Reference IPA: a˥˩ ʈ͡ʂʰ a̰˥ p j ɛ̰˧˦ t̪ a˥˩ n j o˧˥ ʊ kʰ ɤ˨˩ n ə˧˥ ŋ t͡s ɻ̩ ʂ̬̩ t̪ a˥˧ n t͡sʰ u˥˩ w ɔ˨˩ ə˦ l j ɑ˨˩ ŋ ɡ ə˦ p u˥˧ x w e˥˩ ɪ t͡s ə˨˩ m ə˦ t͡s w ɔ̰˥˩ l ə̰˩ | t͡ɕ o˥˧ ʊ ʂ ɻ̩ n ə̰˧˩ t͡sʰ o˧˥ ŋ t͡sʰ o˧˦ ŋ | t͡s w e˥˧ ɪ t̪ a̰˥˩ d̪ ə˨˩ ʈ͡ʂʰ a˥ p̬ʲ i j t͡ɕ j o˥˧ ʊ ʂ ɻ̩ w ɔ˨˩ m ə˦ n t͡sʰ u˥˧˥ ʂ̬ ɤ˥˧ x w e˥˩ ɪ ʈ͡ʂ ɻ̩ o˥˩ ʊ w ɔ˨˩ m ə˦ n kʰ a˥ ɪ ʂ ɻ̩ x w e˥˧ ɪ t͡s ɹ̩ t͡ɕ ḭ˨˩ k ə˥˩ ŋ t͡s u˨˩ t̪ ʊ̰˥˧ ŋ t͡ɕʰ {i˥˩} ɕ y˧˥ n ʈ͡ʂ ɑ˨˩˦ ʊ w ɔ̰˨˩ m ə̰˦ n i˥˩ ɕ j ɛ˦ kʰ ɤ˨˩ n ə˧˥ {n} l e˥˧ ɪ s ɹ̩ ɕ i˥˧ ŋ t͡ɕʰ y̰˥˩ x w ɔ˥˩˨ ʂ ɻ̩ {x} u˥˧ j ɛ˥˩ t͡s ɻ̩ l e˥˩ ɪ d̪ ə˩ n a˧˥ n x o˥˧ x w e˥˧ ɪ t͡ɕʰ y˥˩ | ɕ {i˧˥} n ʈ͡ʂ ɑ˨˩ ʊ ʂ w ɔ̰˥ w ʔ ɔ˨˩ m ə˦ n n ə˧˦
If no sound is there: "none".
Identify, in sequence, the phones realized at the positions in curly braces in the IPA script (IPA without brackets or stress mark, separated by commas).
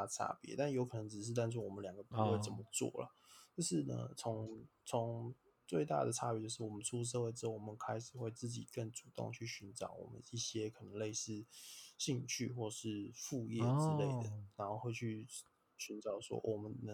y˥˩, ŋ, f, y˧˥